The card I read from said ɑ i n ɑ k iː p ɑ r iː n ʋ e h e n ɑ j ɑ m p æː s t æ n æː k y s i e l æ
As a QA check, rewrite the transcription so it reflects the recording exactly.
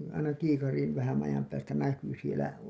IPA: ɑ i n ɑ k iː k ɑ r iː n ʋ æ h æ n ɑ j ɑ m p æː s t æ n æ k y s i e l æ